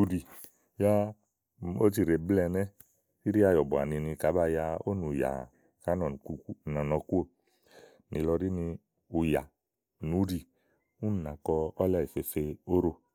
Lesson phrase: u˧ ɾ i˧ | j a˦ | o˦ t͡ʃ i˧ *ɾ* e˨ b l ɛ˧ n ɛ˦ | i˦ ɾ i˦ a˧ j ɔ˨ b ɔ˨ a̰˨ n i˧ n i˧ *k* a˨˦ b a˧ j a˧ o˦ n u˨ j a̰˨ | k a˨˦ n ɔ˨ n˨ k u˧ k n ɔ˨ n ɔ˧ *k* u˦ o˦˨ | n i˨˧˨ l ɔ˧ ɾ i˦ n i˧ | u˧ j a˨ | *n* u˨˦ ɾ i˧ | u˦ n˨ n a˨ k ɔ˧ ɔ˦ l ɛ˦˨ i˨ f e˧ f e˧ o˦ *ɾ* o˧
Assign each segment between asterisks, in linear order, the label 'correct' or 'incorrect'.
correct, correct, correct, correct, correct

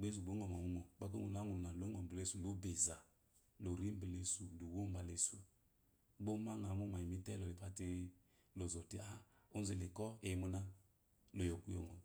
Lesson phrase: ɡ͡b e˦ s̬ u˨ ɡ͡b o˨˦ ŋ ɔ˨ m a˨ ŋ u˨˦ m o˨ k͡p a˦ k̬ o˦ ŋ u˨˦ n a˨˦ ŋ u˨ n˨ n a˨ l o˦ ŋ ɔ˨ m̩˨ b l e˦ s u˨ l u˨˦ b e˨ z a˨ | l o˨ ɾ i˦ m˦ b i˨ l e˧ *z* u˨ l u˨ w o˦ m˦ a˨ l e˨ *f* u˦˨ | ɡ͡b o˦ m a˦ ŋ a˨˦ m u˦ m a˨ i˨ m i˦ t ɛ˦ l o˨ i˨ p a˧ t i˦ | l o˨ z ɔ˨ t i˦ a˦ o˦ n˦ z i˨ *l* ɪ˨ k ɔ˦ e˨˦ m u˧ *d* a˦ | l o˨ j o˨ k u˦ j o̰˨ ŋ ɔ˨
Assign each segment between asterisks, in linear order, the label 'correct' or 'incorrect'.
incorrect: s, incorrect: s, correct, incorrect: n

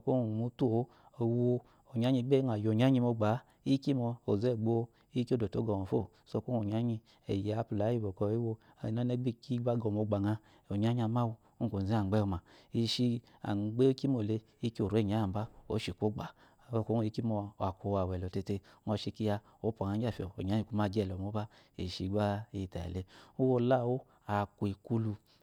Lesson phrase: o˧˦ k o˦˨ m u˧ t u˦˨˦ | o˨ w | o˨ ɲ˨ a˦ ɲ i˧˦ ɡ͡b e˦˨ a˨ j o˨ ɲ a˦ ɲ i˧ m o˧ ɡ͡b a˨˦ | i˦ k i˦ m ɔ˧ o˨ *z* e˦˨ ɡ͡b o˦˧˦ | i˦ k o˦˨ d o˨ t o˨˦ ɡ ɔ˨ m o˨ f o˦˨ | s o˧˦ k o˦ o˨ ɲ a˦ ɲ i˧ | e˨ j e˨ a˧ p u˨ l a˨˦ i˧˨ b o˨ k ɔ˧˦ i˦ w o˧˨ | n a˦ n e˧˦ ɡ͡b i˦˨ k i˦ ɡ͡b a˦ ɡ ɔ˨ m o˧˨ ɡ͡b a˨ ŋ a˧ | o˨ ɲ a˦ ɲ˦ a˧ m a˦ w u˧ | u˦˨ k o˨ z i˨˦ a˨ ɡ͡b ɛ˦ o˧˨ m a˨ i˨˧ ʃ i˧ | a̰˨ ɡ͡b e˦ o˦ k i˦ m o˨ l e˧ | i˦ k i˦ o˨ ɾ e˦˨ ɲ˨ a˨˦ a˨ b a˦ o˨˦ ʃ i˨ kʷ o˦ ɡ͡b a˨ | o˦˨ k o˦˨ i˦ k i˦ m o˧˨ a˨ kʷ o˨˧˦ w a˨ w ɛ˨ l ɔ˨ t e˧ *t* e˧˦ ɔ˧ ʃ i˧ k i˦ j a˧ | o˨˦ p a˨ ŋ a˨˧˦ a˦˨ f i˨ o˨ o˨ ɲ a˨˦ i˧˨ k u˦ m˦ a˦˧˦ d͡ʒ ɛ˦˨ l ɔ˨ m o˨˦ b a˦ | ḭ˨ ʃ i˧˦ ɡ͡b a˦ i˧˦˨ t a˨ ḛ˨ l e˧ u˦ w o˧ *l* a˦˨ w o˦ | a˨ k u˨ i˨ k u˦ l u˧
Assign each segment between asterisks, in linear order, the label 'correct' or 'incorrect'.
correct, correct, correct

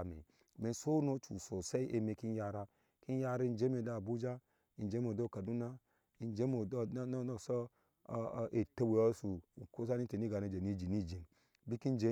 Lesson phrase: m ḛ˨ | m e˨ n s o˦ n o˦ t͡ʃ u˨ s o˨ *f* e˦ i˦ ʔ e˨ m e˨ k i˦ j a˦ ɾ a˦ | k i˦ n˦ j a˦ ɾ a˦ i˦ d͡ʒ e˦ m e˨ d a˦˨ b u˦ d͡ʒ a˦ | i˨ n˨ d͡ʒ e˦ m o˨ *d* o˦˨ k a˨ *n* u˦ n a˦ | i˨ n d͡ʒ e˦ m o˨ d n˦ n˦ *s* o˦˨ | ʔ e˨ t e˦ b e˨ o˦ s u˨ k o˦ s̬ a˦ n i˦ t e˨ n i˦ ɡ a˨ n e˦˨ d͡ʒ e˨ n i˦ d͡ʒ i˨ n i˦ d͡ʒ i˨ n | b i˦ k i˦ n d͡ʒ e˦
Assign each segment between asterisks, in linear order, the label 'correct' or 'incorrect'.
incorrect: s, correct, incorrect: d, correct

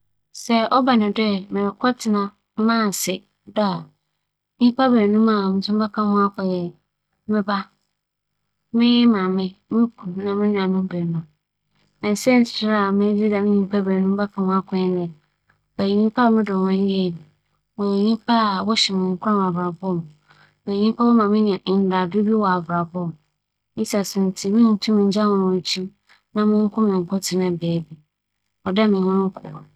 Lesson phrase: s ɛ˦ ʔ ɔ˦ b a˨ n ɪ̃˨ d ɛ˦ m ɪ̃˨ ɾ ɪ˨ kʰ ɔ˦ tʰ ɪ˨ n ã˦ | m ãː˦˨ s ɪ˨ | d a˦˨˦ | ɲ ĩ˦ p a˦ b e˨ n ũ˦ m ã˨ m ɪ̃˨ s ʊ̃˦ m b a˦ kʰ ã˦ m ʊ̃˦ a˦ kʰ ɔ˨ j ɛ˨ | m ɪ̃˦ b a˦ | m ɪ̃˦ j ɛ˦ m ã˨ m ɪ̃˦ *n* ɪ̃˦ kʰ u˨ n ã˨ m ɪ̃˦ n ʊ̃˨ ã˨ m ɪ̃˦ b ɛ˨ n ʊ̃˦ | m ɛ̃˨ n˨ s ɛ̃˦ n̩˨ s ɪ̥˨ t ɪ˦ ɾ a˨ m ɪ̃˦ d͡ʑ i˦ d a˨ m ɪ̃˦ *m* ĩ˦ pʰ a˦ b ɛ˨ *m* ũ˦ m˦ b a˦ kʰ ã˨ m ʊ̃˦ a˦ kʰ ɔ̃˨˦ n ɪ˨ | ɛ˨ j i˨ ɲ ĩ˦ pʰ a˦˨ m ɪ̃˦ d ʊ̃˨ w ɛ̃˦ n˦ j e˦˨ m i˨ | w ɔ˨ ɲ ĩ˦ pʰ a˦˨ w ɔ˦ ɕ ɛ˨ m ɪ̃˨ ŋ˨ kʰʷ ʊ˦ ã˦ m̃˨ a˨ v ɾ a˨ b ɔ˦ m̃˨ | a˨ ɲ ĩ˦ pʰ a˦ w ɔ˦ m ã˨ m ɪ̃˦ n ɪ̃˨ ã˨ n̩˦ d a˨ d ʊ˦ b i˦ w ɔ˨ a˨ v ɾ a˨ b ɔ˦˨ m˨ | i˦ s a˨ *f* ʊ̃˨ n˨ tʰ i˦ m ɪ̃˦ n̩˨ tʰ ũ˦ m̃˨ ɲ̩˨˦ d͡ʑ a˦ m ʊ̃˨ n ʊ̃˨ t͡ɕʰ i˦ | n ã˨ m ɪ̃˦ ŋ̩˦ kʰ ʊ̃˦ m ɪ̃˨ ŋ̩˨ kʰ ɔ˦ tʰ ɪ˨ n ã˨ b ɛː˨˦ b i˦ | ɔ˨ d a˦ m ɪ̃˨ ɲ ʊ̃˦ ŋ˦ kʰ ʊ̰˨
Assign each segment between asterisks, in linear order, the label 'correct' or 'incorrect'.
incorrect: m, incorrect: ɲ, incorrect: n, incorrect: s

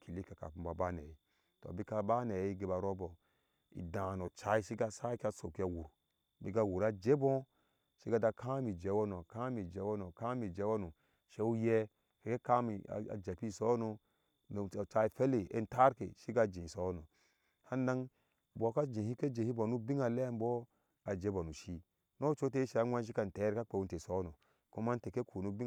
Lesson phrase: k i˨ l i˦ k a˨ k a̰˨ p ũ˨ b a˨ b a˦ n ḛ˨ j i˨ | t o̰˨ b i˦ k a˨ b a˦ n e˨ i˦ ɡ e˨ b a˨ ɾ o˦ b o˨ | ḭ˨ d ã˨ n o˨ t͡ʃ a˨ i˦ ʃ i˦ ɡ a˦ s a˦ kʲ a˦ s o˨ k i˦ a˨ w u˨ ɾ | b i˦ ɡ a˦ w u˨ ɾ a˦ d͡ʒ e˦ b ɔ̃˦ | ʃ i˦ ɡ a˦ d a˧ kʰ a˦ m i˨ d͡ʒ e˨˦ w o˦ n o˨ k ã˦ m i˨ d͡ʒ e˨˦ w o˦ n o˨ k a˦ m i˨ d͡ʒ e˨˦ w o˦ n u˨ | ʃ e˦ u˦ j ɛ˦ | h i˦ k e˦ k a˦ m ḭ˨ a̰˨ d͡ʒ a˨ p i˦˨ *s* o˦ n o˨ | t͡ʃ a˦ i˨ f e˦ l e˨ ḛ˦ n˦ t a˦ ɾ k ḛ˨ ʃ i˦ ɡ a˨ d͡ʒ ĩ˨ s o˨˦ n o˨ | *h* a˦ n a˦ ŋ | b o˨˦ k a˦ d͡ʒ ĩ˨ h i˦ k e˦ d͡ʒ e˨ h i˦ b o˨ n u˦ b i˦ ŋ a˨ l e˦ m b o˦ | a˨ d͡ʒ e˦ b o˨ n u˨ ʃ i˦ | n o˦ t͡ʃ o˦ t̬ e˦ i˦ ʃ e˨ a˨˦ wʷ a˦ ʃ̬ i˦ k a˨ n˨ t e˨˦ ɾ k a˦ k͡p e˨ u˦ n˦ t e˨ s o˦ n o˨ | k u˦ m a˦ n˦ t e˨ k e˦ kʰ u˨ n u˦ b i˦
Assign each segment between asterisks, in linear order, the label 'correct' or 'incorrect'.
correct, correct

